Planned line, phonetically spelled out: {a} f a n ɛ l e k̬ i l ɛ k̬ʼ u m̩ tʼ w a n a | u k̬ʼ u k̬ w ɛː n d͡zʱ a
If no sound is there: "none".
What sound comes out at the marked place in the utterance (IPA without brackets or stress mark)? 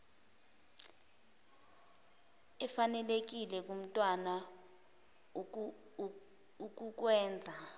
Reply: ɛ